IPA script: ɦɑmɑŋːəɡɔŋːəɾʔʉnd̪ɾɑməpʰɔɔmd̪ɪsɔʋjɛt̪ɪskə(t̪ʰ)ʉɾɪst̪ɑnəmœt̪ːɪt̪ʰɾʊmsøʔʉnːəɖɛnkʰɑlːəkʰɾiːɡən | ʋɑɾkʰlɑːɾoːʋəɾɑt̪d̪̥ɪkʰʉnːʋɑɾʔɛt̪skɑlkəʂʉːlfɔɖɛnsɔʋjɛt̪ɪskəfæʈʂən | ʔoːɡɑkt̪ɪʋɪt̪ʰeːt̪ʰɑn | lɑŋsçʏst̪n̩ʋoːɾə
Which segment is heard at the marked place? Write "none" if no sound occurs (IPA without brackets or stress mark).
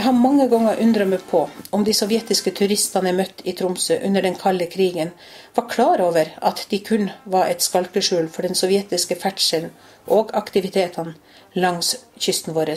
t̪ʰ